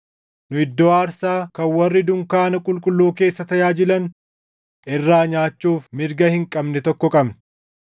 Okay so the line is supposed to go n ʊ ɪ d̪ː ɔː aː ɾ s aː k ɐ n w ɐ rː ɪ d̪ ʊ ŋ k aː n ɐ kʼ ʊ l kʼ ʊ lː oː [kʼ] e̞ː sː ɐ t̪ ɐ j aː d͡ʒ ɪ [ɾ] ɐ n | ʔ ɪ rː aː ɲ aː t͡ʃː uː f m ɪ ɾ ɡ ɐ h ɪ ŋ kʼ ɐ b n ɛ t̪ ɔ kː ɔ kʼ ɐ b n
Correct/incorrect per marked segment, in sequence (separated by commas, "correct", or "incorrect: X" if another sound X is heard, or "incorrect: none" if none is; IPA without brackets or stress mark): incorrect: k, incorrect: l